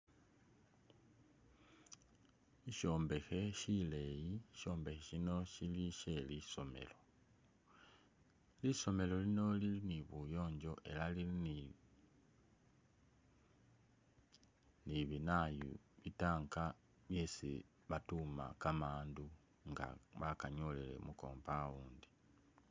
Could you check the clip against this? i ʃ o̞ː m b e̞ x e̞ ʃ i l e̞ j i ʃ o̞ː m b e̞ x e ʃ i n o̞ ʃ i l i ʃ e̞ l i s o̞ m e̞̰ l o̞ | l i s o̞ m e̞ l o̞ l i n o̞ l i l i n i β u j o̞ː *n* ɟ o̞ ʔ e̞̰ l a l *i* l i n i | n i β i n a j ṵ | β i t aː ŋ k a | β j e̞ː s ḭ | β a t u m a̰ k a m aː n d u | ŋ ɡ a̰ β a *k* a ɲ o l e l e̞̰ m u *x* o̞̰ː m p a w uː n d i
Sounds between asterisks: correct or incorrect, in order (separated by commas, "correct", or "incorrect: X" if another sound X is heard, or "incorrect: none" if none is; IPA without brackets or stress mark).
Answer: incorrect: ɲ, correct, correct, incorrect: k